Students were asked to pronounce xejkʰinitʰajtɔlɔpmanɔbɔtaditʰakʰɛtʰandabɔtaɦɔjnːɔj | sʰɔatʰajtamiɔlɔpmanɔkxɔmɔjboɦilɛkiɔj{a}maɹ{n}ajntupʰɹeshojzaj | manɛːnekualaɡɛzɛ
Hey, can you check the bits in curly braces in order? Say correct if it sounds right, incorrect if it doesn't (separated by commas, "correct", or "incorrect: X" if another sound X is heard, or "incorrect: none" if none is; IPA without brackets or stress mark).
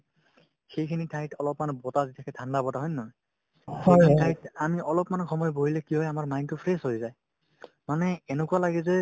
correct, incorrect: m